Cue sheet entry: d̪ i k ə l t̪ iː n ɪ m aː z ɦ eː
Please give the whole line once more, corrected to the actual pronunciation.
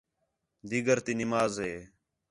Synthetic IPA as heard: d̪ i ɡ ə ɾ t̪ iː n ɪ m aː z ɦ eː